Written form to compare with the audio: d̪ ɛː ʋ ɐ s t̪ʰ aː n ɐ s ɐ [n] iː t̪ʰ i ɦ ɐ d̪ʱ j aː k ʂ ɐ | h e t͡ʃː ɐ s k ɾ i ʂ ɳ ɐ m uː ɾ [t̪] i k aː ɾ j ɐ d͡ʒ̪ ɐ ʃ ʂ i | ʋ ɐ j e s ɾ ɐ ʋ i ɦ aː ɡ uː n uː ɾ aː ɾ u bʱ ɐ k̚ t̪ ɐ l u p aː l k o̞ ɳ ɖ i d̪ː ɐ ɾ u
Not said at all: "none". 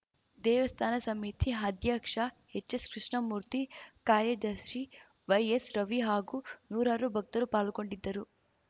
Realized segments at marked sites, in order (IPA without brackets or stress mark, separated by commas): m, t̪